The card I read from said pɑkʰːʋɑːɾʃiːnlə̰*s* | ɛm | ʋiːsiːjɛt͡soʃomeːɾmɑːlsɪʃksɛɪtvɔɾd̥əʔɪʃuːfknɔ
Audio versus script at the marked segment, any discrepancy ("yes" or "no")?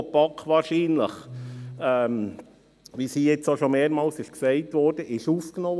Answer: yes